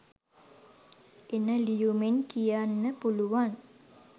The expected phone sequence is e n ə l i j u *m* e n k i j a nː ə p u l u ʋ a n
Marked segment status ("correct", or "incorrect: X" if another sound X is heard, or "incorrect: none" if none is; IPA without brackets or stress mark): correct